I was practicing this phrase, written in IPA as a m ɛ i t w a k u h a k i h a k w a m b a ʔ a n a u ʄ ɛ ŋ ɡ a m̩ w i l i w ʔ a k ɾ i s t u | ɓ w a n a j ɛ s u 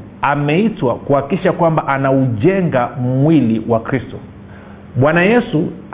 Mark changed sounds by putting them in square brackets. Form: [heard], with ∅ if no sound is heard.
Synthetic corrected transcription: a m ɛ i t w a k u h a k i [ʃ] a k w a m b a ʔ a n a u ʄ ɛ ŋ ɡ a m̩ w i l i w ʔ a k ɾ i s t [ɔ] | ɓ w a n a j ɛ s u